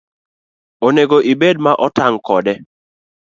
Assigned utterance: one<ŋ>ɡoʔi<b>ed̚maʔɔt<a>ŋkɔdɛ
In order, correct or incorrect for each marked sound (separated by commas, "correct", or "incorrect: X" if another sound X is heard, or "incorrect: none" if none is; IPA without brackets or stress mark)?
incorrect: none, correct, correct